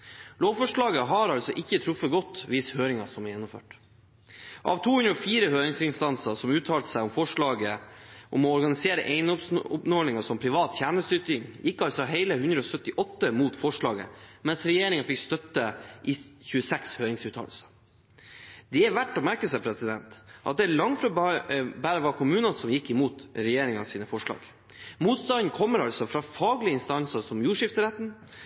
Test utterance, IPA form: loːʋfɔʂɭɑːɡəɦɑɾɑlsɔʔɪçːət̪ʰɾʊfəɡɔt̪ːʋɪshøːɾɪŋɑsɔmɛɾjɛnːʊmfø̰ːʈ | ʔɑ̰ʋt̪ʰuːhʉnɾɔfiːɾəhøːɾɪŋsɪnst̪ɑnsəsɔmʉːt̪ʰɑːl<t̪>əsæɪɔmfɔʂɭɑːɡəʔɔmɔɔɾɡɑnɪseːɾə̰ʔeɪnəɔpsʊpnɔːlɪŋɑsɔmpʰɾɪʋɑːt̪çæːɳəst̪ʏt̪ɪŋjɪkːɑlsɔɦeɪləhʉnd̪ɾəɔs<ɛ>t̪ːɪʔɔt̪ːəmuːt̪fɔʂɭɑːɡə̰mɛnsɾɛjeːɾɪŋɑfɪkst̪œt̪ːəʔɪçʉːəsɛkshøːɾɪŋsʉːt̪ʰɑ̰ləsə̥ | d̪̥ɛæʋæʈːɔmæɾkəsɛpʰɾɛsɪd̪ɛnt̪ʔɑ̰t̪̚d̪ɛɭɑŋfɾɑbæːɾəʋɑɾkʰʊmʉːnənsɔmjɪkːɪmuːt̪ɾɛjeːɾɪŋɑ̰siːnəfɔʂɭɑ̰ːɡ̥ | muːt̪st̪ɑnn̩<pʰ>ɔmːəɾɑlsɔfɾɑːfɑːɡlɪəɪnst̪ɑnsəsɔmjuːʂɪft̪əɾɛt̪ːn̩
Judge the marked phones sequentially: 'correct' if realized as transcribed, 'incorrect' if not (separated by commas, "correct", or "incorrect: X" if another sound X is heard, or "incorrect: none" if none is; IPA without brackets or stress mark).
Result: correct, incorrect: œ, incorrect: kʰ